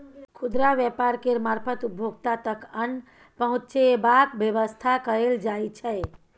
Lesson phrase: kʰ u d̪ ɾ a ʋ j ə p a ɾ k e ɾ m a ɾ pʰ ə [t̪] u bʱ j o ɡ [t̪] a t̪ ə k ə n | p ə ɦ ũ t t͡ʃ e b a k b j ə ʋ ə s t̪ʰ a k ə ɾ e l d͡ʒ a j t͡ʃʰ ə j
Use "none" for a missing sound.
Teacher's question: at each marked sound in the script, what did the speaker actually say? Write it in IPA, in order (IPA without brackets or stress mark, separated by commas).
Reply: t̪, t̪